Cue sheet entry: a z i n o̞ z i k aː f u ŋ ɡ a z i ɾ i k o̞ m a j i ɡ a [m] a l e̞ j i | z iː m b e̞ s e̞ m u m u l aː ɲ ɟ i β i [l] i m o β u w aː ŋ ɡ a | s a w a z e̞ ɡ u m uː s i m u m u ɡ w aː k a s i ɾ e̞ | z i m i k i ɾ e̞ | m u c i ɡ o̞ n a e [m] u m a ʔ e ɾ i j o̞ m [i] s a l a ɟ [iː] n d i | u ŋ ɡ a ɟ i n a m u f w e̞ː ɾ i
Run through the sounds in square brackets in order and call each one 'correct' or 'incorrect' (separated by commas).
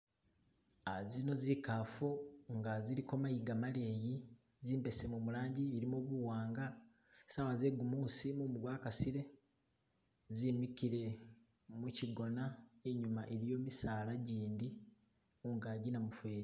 correct, incorrect, incorrect, correct, correct